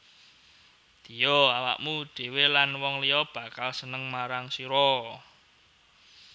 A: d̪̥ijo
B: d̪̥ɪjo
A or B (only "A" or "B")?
A